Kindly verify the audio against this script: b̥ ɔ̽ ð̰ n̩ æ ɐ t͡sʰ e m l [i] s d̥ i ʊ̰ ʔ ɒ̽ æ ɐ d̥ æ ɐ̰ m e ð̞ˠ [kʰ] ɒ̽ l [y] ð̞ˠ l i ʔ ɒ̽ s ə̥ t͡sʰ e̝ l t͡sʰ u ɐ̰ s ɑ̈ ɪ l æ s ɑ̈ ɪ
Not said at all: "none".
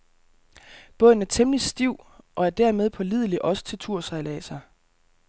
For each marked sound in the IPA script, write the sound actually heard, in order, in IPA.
i, pʰ, i

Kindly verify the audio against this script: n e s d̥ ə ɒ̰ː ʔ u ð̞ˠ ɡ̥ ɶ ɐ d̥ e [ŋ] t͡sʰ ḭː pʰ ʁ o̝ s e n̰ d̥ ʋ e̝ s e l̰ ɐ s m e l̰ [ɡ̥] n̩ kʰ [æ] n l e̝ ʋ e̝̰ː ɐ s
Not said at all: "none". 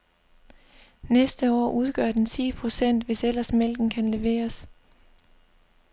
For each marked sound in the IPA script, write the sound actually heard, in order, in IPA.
n, ɡ̥, æ

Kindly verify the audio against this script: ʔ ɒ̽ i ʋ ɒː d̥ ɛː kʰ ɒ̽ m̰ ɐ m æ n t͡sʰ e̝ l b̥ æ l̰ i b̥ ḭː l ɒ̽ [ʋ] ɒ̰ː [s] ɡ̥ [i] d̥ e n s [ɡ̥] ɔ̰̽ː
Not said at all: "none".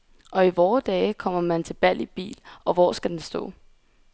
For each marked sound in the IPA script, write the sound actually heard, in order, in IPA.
ʋ, s, æ, d̥

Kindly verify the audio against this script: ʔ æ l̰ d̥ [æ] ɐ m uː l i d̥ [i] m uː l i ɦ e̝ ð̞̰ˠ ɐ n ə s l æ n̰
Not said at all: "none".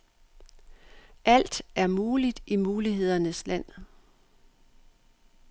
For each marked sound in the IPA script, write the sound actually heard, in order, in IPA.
æ, i

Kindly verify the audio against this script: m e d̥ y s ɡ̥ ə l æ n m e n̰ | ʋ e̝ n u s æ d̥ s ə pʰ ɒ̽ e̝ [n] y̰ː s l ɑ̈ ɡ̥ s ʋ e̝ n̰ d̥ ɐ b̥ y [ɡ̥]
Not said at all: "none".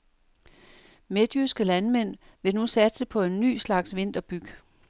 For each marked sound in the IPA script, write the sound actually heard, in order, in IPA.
nː, ɡ̥

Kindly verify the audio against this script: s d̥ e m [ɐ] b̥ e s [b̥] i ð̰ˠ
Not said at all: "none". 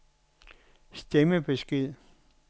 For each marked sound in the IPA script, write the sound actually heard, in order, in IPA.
ə, ɡ̥

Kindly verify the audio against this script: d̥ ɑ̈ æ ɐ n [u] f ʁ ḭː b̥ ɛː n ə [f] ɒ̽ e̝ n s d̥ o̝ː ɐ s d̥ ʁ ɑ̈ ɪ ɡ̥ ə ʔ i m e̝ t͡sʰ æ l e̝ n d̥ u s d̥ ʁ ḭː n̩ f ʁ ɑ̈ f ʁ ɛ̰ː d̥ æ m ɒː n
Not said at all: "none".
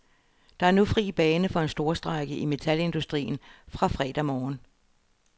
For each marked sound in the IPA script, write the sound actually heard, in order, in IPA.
u, f

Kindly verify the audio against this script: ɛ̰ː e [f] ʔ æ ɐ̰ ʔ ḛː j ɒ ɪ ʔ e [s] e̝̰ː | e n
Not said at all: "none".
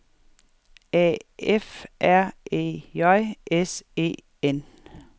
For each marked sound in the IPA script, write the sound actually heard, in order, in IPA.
f, s

